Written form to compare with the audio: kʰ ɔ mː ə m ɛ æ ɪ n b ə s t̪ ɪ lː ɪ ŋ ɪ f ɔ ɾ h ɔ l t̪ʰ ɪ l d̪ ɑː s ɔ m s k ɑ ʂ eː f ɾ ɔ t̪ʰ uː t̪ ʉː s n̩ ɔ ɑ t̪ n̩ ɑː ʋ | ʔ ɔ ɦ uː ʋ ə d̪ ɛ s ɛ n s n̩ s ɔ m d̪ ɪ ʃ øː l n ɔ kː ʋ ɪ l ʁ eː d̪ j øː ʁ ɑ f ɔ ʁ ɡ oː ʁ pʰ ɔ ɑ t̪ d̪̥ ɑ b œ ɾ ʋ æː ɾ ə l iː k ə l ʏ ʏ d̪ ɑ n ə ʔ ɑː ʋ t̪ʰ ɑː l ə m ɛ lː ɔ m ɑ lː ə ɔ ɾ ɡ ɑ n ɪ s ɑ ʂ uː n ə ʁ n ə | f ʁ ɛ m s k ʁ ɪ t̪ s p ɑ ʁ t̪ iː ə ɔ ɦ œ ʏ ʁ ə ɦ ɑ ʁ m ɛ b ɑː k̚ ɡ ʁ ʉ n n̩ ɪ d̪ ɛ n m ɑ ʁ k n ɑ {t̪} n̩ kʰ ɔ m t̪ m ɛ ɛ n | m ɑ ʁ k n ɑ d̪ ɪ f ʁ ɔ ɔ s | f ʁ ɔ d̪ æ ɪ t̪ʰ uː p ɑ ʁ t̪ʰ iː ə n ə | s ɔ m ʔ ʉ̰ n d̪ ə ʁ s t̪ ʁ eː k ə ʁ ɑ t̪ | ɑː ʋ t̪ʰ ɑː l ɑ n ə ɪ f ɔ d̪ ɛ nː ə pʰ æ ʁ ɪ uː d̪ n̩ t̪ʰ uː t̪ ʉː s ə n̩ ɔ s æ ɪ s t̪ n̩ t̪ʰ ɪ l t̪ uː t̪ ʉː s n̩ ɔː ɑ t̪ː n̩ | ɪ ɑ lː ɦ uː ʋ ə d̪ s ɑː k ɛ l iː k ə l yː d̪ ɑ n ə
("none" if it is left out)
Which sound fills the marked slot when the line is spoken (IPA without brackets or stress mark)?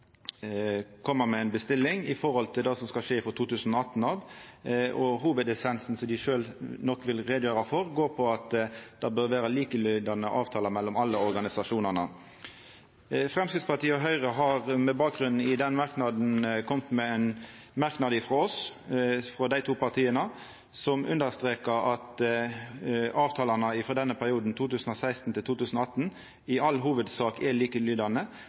d̪